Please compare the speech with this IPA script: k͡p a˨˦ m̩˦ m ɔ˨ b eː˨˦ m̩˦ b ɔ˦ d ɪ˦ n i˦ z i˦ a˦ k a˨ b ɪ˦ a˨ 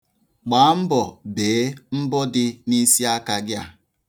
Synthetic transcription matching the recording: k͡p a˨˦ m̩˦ b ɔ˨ b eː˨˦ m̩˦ b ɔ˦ d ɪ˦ n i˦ s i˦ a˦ k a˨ ɡ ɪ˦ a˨